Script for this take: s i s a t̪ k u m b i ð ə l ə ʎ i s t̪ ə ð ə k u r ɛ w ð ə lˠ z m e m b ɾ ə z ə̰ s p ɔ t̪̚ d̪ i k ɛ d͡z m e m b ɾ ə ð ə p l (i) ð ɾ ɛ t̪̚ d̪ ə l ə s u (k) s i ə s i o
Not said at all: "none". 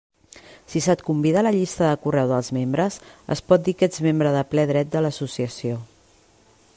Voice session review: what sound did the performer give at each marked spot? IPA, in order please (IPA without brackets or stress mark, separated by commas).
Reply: ɛ, none